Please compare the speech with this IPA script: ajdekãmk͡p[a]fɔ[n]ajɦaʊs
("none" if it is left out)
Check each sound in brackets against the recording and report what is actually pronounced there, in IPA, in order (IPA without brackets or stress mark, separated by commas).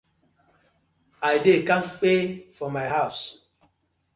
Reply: e, m